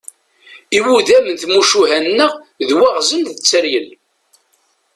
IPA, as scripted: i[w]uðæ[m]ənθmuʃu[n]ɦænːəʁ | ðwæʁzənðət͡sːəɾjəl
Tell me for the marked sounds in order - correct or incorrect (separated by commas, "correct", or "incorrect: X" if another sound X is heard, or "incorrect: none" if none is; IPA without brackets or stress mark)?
correct, correct, incorrect: none